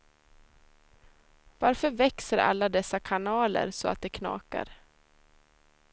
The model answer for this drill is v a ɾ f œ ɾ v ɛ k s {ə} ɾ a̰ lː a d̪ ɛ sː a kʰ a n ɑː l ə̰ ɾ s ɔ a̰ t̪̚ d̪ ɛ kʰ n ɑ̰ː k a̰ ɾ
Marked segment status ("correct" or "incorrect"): correct